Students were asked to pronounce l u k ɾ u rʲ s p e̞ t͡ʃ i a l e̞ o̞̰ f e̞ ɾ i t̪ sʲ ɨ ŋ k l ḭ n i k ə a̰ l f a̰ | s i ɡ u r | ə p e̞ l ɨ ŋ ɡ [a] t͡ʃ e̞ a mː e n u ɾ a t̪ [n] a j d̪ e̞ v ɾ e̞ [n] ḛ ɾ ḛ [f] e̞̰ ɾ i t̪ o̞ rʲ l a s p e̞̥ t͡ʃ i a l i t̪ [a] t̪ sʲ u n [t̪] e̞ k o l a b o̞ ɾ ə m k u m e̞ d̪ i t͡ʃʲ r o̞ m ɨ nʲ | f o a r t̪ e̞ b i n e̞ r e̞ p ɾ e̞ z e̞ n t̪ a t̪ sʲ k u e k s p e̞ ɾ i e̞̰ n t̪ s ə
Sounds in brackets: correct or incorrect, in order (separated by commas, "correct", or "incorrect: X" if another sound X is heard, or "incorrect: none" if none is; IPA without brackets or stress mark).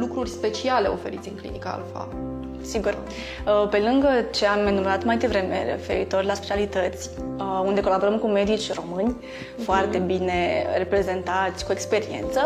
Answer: incorrect: ə, incorrect: m, incorrect: m, correct, incorrect: ə, incorrect: d̪